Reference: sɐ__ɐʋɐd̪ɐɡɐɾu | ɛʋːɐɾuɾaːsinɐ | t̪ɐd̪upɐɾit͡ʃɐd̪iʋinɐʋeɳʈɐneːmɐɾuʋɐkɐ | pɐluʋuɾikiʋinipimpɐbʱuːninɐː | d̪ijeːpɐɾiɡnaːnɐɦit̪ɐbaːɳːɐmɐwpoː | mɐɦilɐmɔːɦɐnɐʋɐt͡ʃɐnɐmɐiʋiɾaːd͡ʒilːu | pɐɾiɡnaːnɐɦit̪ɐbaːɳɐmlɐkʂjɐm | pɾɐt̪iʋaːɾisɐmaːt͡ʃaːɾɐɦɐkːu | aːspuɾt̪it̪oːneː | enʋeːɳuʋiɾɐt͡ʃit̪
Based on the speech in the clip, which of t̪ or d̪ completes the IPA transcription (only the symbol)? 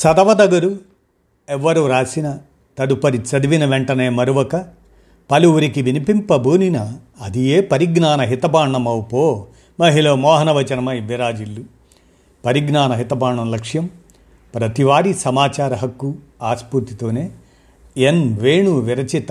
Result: d̪